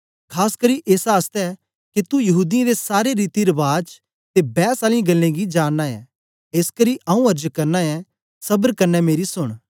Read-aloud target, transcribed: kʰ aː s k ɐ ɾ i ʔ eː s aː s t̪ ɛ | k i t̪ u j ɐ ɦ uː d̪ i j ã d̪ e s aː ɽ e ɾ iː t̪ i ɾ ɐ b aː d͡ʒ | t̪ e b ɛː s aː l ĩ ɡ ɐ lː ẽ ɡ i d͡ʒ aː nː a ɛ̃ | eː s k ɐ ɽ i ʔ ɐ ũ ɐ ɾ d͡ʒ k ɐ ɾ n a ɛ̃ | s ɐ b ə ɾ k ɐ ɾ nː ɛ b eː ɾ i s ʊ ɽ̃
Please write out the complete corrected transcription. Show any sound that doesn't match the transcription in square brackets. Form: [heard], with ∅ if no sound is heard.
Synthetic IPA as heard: kʰ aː s k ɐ ɾ i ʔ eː s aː s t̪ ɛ | k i t̪ u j ɐ ɦ uː d̪ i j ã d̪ e s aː [ɾ] e ɾ iː t̪ i ɾ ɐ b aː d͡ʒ | t̪ e b ɛː s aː l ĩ ɡ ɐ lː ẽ ɡ i d͡ʒ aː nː a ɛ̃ | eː s k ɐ [ɾ] i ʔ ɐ ũ ɐ ɾ d͡ʒ k ɐ ɾ n a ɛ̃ | s ɐ b ə ɾ k ɐ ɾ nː ɛ [m] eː ɾ i s ʊ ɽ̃